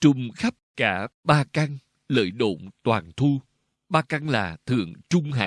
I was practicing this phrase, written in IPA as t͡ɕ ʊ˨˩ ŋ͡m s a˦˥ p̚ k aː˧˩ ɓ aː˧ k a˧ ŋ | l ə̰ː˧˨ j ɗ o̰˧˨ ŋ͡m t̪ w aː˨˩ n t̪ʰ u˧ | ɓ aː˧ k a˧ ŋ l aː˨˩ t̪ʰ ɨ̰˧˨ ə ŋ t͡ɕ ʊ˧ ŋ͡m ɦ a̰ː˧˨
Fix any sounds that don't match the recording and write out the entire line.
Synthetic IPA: t͡ɕ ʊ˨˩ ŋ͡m x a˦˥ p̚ k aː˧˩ ɓ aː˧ k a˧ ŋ | l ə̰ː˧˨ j ɗ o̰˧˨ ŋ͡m t̪ w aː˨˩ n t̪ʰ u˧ | ɓ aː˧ k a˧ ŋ l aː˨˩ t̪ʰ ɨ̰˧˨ ə ŋ t͡ɕ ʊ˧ ŋ͡m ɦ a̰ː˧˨